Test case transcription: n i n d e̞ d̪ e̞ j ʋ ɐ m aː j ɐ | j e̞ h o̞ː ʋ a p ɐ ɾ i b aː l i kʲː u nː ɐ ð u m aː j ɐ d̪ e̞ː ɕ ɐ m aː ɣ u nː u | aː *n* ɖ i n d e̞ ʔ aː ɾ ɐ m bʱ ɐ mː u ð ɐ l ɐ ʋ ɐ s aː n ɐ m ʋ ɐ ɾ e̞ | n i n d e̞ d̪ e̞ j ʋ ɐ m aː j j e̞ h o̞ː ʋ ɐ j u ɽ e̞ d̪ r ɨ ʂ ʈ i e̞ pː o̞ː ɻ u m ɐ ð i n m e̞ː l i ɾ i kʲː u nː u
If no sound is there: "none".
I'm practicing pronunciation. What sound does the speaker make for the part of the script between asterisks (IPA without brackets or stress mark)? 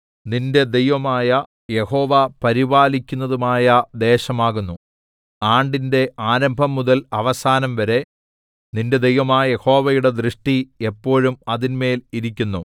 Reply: ɳ